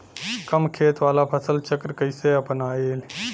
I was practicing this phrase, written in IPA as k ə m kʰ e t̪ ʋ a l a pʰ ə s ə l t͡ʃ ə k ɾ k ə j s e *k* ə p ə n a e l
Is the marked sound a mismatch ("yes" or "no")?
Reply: yes